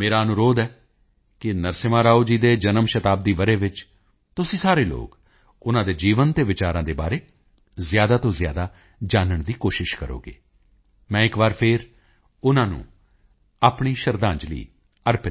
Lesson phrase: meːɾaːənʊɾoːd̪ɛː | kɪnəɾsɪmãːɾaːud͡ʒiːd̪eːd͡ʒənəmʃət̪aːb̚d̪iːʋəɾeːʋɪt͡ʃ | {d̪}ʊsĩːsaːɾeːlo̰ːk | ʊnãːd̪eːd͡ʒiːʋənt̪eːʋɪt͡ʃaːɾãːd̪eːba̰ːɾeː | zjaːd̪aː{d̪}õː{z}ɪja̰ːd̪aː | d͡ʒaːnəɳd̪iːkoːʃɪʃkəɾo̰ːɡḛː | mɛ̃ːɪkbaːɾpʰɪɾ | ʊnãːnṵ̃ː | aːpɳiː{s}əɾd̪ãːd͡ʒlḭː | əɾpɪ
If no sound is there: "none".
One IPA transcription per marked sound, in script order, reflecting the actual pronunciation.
t̪, t̪, z, ʃ

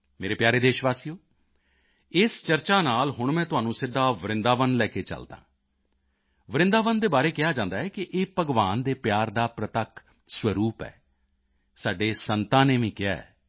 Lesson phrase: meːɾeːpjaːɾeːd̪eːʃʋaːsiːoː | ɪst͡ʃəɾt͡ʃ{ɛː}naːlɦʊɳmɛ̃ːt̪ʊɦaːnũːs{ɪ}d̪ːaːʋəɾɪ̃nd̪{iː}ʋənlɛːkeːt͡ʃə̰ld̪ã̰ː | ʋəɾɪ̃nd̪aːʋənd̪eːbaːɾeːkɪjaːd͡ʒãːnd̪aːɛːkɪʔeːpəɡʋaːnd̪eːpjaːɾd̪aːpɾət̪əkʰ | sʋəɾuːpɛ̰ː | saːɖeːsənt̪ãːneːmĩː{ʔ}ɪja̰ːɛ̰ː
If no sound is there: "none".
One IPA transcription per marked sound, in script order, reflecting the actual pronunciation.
aː, ɪ, aː, k

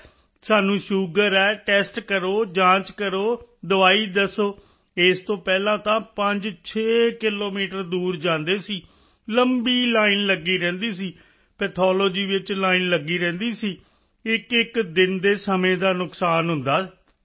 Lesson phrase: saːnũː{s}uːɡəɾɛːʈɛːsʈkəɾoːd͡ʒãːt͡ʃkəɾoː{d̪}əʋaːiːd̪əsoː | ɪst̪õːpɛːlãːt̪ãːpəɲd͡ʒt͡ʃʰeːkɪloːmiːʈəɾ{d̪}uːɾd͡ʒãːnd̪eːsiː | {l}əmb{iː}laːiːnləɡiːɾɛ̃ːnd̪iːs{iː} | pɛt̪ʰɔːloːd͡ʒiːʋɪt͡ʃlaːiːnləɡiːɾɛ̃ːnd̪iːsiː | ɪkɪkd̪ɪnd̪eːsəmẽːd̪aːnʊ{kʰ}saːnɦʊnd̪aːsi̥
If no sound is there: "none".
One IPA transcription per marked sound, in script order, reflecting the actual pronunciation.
ʃ, d̪, d̪, l, iː, iː, k

